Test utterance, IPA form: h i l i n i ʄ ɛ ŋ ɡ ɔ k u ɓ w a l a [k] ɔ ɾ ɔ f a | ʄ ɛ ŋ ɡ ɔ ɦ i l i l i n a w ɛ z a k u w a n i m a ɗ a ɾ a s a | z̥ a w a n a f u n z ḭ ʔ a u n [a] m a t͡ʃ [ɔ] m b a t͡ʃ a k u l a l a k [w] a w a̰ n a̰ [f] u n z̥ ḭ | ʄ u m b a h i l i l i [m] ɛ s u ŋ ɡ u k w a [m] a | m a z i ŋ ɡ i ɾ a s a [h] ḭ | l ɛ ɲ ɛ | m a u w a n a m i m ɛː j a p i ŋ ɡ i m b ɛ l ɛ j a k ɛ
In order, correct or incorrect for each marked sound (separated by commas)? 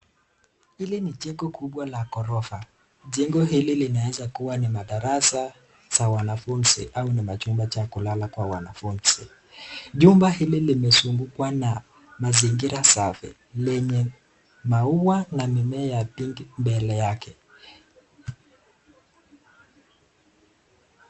correct, incorrect, incorrect, correct, correct, correct, incorrect, incorrect